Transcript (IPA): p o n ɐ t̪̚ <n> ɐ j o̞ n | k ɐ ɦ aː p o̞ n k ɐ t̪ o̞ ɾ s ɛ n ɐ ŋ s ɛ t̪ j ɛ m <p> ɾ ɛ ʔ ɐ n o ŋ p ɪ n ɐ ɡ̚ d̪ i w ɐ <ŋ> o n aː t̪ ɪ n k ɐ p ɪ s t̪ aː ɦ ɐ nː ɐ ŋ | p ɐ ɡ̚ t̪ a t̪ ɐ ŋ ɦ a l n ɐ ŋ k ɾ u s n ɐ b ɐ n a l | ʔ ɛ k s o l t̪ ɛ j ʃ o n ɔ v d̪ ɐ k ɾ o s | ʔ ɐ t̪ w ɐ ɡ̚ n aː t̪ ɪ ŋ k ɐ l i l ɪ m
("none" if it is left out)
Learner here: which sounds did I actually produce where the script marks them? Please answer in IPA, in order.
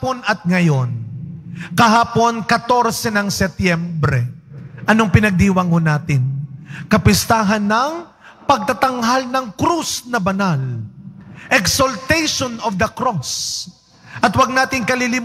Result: ŋ, b, ŋ

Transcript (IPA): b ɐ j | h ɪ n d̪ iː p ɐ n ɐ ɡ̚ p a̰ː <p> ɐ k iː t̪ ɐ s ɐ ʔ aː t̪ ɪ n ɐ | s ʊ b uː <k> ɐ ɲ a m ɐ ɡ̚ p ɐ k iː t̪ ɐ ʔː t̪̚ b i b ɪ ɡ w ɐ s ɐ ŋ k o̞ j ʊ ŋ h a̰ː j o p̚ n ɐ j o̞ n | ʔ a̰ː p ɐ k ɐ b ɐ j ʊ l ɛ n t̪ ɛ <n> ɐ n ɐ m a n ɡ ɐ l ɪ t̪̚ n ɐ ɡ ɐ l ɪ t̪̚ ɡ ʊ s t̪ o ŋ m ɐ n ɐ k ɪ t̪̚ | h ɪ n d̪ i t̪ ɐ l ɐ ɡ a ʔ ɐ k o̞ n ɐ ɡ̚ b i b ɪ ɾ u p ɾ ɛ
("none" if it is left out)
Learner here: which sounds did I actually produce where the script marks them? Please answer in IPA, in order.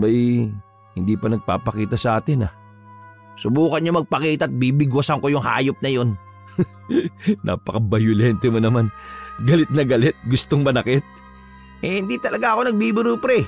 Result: p, k, m

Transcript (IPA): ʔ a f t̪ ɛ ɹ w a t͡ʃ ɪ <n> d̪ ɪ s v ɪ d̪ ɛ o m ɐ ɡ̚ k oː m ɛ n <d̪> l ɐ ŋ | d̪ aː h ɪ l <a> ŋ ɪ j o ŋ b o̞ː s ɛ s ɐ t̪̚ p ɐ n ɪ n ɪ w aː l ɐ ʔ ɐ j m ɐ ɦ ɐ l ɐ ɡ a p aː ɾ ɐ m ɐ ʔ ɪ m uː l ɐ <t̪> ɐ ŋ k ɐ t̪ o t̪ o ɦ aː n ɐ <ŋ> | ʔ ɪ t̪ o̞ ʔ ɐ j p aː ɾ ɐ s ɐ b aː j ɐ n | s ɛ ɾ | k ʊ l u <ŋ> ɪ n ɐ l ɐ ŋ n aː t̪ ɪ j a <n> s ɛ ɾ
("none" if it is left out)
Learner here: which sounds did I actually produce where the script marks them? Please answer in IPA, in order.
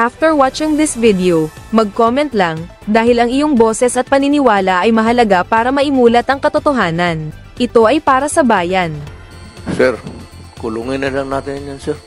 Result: ŋ, t̪, ɐ, t̪, n, ŋ, n

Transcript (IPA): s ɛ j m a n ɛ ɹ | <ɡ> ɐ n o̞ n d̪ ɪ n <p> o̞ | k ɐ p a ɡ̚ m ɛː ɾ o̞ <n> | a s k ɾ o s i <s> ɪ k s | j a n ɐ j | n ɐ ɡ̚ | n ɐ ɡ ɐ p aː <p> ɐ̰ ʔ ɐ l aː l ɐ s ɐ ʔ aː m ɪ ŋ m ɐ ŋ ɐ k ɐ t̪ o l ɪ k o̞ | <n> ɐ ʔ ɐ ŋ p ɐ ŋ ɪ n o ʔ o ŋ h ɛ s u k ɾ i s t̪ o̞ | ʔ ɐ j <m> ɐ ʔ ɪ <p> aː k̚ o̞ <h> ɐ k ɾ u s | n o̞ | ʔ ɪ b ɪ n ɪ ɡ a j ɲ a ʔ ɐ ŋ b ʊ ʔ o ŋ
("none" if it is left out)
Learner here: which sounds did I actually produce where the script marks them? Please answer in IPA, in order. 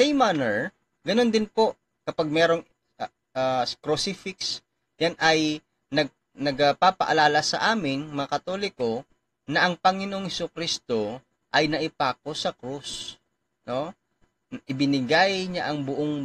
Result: ɡ, p, ŋ, f, p, n, n, p, s

